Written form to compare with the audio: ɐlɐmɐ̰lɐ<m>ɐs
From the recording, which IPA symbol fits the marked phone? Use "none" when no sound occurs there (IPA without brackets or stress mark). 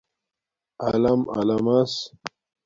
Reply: m